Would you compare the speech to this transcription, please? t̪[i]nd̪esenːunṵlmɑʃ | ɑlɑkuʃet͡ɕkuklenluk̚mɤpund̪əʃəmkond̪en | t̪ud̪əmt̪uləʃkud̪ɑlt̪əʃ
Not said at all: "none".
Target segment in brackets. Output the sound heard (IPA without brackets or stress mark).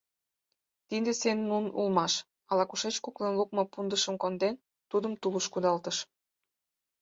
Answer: i